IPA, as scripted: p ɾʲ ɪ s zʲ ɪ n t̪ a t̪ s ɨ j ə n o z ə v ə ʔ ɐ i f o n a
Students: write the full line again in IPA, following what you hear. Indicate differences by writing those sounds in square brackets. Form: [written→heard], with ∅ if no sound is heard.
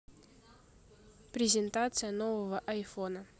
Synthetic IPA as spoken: p ɾʲ ɪ [s→∅] zʲ ɪ n t̪ a t̪ s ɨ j ə n o [z→v] ə v ə ʔ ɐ [i→j] f o n [a→ə]